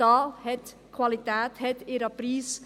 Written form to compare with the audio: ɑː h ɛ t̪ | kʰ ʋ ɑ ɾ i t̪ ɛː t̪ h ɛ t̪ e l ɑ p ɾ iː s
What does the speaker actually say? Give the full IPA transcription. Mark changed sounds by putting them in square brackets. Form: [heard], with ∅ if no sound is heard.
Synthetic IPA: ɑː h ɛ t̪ | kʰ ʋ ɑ [l] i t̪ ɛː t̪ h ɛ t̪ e [ɾ] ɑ p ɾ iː s